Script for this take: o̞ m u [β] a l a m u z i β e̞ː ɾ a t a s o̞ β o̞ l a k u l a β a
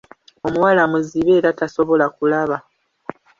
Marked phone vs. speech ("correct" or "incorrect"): incorrect